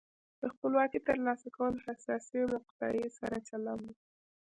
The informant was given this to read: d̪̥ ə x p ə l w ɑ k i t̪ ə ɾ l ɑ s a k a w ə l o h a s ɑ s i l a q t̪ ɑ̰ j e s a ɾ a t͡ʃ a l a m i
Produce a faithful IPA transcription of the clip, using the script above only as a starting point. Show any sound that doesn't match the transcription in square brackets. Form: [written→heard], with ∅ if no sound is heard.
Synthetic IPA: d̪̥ ə x p ə l w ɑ k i t̪ ə ɾ l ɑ s a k a w ə l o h a s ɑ s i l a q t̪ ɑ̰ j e s a ɾ a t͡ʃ a l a m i